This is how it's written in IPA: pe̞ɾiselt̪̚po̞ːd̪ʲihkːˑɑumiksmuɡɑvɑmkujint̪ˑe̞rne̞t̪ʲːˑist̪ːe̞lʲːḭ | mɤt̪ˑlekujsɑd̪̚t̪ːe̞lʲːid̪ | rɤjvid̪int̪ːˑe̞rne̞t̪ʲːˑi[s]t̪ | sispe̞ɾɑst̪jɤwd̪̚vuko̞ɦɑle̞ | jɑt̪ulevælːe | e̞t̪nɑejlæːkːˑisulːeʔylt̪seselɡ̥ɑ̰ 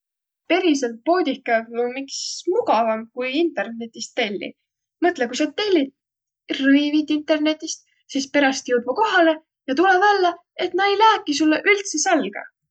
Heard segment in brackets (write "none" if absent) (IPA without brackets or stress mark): s